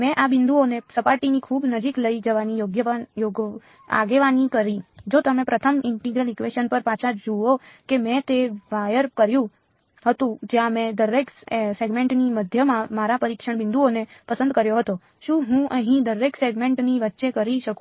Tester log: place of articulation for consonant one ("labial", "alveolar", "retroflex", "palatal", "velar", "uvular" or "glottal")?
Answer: labial